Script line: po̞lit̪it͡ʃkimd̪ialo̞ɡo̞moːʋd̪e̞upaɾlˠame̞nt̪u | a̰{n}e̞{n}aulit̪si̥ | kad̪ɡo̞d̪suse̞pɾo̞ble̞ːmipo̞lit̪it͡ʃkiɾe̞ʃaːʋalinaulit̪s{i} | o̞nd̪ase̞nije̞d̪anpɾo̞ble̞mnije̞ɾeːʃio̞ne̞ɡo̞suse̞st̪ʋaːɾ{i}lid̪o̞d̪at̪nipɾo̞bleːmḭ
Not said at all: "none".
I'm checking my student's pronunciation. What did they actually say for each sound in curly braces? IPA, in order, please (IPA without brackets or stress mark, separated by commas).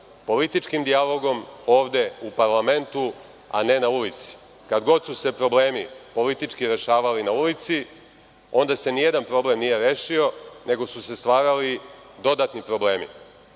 n, n, i, a